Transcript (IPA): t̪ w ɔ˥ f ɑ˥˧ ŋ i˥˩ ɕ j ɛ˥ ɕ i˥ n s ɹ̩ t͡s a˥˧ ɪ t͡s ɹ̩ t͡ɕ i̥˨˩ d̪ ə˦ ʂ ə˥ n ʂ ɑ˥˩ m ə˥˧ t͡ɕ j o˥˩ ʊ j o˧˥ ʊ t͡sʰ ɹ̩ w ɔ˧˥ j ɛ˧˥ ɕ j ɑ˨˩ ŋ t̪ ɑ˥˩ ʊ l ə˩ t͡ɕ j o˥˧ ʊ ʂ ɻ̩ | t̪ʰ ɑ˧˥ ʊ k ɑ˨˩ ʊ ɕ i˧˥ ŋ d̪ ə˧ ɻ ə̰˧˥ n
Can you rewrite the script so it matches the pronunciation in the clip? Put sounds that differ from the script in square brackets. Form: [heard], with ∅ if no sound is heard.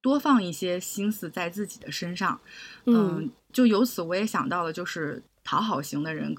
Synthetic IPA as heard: t̪ w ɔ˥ f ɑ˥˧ ŋ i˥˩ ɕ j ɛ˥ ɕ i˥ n s ɹ̩ t͡s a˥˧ ɪ t͡s ɹ̩ t͡ɕ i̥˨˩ d̪ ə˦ ʂ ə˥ n ʂ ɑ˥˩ [ŋ] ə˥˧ t͡ɕ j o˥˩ ʊ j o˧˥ ʊ t͡sʰ ɹ̩ w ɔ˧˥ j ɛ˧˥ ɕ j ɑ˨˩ ŋ t̪ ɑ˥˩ ʊ l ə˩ t͡ɕ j o˥˧ ʊ ʂ ɻ̩ | t̪ʰ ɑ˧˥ ʊ [x] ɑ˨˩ ʊ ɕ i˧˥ ŋ d̪ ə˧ ɻ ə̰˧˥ n